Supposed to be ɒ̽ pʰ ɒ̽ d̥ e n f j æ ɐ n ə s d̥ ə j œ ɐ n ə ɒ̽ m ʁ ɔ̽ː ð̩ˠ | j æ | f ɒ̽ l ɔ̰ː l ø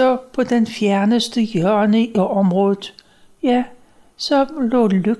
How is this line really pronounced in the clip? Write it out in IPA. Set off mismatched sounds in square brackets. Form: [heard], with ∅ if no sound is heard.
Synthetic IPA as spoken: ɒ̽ pʰ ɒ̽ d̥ e n f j æ ɐ n ə s d̥ ə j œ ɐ n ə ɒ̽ m ʁ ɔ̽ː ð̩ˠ | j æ | [s] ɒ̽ l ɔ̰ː l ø